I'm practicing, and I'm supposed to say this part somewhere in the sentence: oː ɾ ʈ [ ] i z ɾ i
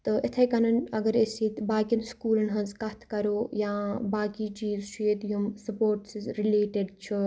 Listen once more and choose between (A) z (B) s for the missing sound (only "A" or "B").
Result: B